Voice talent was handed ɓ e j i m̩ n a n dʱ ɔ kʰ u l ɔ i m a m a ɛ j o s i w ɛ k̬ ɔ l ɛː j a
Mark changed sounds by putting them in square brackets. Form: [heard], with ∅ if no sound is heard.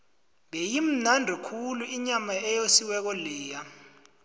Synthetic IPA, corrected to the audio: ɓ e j i m̩ n a n dʱ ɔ kʰ u l [u] i [ɲ] a m a ɛ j o s i w ɛ k̬ ɔ l ɛː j a